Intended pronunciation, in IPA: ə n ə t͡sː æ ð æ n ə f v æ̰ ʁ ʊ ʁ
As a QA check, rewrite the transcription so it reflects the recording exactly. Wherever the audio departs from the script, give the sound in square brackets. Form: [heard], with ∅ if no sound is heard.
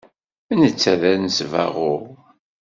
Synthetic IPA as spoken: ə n ə t͡sː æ ð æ n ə [s] v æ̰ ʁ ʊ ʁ